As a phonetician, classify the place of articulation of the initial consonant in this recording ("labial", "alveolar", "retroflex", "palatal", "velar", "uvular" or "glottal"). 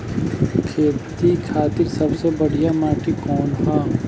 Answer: velar